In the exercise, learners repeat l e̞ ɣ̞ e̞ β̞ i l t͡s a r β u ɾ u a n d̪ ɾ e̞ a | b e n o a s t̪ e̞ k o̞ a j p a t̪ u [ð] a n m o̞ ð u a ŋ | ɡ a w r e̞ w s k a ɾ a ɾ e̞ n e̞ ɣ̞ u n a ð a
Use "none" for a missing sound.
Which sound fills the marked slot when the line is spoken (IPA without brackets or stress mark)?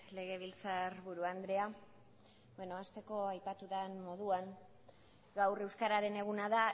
ð